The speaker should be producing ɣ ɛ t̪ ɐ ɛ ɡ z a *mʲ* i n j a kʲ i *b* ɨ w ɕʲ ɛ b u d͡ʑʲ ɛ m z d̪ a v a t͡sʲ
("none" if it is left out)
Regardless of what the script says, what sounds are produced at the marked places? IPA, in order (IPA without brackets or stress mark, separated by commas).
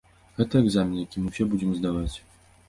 mʲ, m